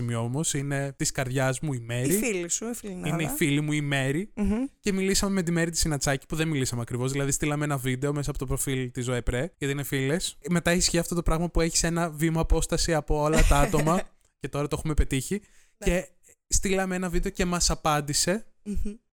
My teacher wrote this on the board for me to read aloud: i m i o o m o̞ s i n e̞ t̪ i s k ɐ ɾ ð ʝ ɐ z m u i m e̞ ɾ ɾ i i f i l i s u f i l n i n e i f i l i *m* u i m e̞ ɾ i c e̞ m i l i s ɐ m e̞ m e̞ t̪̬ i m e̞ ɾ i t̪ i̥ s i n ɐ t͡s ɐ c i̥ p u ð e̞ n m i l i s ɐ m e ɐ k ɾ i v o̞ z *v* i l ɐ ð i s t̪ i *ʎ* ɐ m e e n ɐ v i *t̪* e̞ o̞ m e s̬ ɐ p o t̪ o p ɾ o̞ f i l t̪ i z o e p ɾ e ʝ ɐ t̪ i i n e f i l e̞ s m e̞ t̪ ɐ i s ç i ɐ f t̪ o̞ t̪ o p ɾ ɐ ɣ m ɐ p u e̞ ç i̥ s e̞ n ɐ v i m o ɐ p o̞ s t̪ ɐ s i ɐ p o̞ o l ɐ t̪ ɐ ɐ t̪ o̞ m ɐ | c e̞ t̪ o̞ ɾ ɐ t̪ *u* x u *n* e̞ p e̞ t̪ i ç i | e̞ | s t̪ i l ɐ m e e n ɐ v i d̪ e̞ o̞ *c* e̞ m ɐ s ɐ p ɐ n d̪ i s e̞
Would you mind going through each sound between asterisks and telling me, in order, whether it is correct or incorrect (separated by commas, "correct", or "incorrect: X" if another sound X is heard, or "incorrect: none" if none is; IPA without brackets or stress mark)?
correct, incorrect: ð, incorrect: l, incorrect: d̪, incorrect: o, incorrect: m, correct